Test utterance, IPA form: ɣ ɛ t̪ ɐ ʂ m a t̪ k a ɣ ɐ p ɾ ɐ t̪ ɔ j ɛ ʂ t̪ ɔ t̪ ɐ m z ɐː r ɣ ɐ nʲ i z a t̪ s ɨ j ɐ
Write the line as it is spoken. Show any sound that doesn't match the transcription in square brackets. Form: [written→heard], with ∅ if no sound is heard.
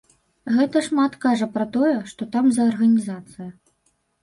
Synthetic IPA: ɣ ɛ t̪ ɐ ʂ m a t̪ k a [ɣ→ʐ] ɐ p ɾ ɐ t̪ ɔ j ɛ ʂ t̪ ɔ t̪ [ɐ→a] m z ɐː r ɣ ɐ nʲ i z a t̪ s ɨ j ɐ